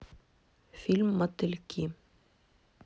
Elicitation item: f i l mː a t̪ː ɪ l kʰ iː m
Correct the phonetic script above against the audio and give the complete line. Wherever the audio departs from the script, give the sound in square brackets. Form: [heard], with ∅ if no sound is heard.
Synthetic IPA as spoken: f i l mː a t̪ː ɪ l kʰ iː m